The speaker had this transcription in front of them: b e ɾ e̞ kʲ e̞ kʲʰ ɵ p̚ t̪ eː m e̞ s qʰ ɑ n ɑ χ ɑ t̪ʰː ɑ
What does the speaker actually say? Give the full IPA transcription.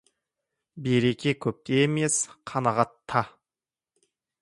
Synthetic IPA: b e ɾ e̞ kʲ e̞ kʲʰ ɵ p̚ t̪ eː m e̞ s qʰ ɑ n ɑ ʁ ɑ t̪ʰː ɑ